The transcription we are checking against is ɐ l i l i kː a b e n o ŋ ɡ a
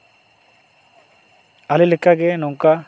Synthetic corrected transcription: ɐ l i l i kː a ɡ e n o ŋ k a